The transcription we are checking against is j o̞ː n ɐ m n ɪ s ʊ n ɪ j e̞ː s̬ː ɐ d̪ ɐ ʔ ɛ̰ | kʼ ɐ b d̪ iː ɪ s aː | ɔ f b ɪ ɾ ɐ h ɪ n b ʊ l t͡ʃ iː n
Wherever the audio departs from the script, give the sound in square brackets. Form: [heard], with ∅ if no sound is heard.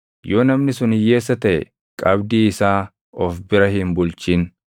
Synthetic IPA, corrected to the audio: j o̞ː n ɐ m n ɪ s ʊ n ɪ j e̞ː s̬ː ɐ [t̪] ɐ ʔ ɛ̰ | kʼ ɐ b d̪ iː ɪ s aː | ɔ f b ɪ ɾ ɐ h ɪ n b ʊ l t͡ʃ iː n